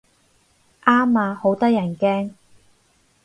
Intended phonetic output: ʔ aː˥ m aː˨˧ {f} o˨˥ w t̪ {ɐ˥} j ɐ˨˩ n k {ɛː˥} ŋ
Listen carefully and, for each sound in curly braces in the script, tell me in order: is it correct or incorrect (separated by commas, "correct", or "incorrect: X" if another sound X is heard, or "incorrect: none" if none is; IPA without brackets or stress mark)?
incorrect: h, correct, correct